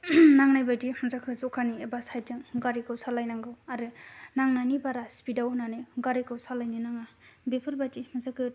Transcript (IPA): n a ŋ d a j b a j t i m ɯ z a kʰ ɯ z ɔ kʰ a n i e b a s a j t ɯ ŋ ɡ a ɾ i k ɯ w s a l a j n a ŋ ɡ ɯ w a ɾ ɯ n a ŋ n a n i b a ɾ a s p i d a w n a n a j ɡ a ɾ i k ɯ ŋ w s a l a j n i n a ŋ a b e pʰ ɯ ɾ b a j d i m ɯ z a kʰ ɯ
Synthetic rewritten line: n a ŋ n a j b a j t i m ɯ z a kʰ ɯ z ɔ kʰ a n i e b a s a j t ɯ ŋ ɡ a ɾ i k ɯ w s a l a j n a ŋ ɡ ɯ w a ɾ ɯ n a ŋ n a n i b a ɾ a s p i d a w n a n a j ɡ a ɾ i k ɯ w s a l a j n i n a ŋ a b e pʰ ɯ ɾ b a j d i m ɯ z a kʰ ɯ

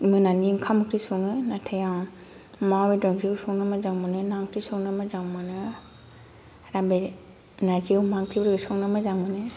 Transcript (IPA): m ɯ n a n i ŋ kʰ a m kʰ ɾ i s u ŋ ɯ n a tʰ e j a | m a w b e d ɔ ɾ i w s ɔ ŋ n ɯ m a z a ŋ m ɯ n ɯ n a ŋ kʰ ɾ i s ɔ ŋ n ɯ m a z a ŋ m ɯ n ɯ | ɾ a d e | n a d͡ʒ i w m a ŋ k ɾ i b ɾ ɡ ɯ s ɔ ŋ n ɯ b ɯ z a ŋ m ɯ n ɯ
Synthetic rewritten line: m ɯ n a n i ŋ kʰ a m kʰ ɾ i s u ŋ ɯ n a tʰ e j a | m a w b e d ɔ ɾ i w s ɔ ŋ n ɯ m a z a ŋ m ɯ n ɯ n a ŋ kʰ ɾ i s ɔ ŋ n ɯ m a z a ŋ m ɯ n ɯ | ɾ a b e | n a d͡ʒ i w m a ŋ k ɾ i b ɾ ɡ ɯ s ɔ ŋ n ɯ m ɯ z a ŋ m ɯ n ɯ

